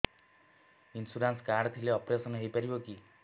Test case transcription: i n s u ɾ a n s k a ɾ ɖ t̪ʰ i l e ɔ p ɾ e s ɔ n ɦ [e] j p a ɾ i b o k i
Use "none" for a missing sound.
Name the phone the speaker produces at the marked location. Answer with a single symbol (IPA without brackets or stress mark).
e